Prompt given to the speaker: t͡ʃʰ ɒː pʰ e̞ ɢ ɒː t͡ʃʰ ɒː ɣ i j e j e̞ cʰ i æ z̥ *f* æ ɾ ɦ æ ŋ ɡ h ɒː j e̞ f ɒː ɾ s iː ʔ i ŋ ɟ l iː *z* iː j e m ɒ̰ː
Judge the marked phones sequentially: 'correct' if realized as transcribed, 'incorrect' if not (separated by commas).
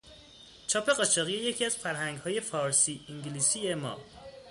correct, incorrect